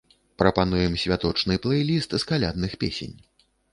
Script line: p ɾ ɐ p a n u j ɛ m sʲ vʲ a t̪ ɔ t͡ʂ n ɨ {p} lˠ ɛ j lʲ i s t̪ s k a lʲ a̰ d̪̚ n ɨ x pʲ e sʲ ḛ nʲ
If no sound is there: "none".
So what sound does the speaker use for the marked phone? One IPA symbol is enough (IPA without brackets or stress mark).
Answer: p